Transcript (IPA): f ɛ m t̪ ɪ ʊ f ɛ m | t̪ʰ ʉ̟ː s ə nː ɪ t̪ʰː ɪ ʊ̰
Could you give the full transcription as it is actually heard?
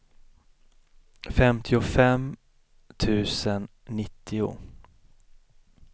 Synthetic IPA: f ɛ m t̪ʰ ɪ ʊ f ɛ m | t̪ʰ ʉ̟ː s ə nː ɪ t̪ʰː ɪ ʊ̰